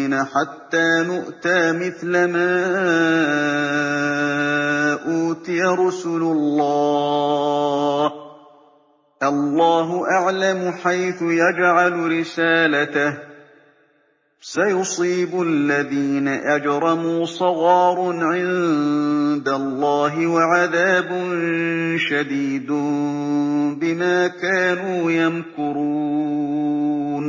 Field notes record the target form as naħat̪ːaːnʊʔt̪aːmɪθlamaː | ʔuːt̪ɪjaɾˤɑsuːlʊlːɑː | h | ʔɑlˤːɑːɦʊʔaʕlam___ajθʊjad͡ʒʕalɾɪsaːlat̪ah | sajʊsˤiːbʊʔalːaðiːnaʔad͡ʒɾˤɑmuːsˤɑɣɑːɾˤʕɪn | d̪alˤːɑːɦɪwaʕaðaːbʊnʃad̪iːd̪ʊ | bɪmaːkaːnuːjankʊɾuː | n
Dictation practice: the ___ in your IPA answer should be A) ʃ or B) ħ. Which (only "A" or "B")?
B